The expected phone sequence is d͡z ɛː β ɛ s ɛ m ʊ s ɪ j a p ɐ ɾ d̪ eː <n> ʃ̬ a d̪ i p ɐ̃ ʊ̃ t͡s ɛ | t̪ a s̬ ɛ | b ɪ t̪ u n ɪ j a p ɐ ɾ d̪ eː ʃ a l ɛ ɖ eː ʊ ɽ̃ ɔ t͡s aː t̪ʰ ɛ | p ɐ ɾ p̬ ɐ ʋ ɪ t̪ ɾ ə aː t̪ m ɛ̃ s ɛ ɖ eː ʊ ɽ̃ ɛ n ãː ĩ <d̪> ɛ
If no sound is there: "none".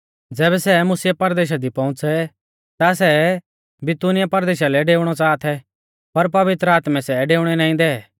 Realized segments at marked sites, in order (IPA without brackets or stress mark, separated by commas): none, d̪